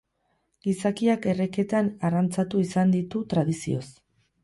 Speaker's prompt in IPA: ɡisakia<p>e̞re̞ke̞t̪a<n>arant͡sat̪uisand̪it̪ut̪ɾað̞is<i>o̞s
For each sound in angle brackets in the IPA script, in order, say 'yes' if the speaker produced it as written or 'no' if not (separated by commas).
no, yes, yes